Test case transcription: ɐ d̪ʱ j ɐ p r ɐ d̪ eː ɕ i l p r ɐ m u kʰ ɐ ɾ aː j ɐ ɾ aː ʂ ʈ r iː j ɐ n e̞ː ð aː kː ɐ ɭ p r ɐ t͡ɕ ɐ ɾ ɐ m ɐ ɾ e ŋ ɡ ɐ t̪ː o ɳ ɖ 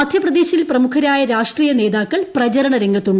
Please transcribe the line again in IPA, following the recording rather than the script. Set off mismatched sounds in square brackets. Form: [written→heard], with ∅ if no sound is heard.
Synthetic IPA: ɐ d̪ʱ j ɐ p r ɐ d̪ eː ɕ i l p r ɐ m u kʰ ɐ ɾ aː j ɐ ɾ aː ʂ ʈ r iː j ɐ n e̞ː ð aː kː ɐ ɭ p r ɐ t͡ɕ ɐ ɾ ɐ [m→ɳ] ɐ ɾ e ŋ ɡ ɐ t̪ː [o→u] ɳ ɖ

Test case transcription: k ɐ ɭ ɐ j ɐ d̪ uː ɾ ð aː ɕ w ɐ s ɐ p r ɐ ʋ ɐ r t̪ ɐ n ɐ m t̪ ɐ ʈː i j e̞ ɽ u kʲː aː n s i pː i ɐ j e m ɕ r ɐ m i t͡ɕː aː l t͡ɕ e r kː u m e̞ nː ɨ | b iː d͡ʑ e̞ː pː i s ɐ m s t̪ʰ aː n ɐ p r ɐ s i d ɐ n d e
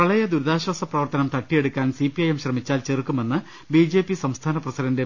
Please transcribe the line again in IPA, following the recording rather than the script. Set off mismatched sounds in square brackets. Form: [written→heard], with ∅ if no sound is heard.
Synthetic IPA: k ɐ ɭ ɐ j ɐ d̪ [uː→u] ɾ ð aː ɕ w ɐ s ɐ p r ɐ ʋ ɐ r t̪ ɐ n ɐ m t̪ ɐ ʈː i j e̞ ɽ u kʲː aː n s i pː i ɐ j e m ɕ r ɐ m i t͡ɕː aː l t͡ɕ e r kː u m e̞ nː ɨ | b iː d͡ʑ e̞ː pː i s ɐ m s t̪ʰ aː n ɐ p r ɐ s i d ɐ n d e

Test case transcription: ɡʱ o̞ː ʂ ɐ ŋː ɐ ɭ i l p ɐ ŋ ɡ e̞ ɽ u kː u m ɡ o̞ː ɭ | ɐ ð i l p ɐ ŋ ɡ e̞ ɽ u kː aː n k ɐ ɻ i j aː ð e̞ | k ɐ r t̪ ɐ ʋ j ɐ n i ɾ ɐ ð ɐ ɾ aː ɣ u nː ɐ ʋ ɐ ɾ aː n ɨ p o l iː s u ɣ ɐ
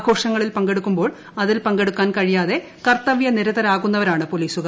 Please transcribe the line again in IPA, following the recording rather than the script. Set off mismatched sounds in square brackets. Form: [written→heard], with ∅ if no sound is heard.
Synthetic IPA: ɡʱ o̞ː ʂ ɐ ŋː ɐ ɭ i l p ɐ ŋ ɡ e̞ ɽ u kː u m [ɡ→b] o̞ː ɭ | ɐ ð i l p ɐ ŋ ɡ e̞ ɽ u kː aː n k ɐ ɻ i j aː ð e̞ | k ɐ r t̪ ɐ ʋ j ɐ n i ɾ ɐ ð ɐ ɾ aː ɣ u nː ɐ ʋ ɐ ɾ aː [n→ɳ] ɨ p o l iː s u ɣ ɐ

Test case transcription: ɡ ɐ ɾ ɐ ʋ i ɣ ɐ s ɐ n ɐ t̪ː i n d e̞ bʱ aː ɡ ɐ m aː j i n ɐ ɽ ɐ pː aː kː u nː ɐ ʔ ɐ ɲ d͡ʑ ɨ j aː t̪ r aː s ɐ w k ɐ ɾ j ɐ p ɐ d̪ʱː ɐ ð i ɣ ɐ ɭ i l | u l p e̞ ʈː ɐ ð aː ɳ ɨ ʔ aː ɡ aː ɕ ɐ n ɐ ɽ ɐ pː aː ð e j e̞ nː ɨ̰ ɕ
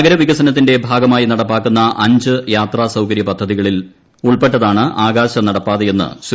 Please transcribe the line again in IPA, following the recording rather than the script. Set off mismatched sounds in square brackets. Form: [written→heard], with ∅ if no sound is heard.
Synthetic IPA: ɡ ɐ ɾ ɐ ʋ i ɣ ɐ s ɐ n ɐ t̪ː i n d e̞ bʱ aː ɡ ɐ m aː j i n ɐ ɽ ɐ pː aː kː u nː ɐ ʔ ɐ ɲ d͡ʑ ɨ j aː t̪ r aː s ɐ w k ɐ ɾ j ɐ p ɐ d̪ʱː ɐ ð i ɣ ɐ ɭ i l | u [l→ɭ] p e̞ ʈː ɐ ð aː ɳ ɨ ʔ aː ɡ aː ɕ ɐ n ɐ ɽ ɐ pː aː ð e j e̞ nː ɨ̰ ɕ

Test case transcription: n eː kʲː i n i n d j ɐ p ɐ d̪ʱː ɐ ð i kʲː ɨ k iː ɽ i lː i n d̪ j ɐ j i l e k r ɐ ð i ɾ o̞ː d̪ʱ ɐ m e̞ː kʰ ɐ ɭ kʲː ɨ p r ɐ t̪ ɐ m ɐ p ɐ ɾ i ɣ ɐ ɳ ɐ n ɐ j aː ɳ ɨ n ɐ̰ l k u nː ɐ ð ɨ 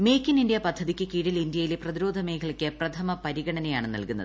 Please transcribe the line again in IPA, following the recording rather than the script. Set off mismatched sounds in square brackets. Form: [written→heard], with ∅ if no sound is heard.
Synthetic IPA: [n→m] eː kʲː i n i n d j ɐ p ɐ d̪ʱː ɐ ð i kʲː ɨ k iː ɽ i [lː→l] i n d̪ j ɐ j i l e [k→p] r ɐ ð i ɾ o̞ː d̪ʱ ɐ m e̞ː kʰ ɐ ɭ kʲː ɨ p r ɐ [t̪→t̪ʰ] ɐ m ɐ p ɐ ɾ i ɣ ɐ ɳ ɐ n ɐ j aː ɳ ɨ n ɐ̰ l k u nː ɐ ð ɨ

